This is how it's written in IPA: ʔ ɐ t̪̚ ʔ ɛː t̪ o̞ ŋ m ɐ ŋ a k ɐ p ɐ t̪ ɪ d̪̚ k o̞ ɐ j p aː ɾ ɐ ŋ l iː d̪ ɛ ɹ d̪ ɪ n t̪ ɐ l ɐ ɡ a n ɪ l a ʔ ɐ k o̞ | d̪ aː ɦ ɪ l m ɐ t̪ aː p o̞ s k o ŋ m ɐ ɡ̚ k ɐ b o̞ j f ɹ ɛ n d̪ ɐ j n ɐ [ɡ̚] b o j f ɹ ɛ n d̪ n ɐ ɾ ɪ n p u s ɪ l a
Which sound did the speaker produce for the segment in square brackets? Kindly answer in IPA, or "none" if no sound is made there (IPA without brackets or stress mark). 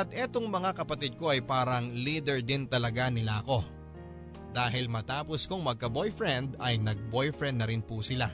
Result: ɡ̚